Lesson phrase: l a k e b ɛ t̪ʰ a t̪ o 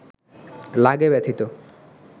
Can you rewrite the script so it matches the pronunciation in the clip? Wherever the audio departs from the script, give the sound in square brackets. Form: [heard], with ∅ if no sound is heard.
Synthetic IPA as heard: l a [ɡ] e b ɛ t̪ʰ [i] t̪ o